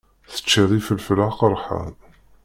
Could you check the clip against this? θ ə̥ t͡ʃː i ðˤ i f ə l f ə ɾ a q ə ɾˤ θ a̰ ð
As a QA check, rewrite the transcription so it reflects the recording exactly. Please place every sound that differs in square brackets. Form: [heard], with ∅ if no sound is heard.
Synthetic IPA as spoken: θ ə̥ t͡ʃː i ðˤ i f ə l f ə [l] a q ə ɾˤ [ħ] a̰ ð